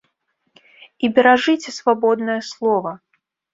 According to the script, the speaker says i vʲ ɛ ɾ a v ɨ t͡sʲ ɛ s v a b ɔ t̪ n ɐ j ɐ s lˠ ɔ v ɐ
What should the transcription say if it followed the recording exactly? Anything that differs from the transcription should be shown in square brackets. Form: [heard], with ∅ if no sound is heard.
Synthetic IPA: i [bʲ] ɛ ɾ a [ʐ] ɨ t͡sʲ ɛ s v a b ɔ [d̪] n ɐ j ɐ s lˠ ɔ v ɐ